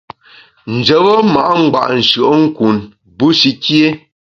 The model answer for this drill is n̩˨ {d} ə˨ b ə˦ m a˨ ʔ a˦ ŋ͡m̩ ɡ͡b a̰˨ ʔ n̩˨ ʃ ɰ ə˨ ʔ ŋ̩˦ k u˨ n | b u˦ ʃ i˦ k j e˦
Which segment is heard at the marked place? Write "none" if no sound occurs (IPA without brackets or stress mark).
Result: d͡ʒ